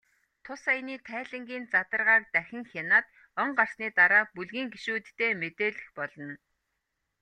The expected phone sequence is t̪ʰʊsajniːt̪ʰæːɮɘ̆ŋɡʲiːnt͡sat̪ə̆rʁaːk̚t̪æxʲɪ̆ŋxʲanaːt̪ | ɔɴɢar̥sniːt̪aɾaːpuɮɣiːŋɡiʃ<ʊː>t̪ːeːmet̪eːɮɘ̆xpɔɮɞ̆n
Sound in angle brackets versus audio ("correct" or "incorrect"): incorrect